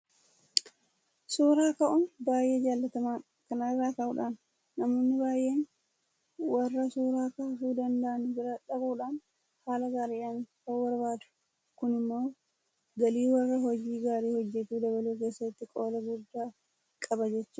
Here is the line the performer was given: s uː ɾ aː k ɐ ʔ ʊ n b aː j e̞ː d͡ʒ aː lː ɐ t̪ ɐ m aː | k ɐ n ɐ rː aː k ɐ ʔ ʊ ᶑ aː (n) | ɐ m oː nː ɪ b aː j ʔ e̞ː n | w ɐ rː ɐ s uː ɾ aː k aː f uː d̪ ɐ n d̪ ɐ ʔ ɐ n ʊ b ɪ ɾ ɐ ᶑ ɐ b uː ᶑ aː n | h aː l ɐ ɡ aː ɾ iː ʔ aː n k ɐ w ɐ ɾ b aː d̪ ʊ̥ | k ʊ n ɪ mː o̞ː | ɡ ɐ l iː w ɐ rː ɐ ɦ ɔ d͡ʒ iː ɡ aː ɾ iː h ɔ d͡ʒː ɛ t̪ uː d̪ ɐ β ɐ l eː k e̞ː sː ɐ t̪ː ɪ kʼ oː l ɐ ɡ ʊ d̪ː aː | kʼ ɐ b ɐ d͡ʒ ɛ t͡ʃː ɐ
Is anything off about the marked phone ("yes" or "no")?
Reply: yes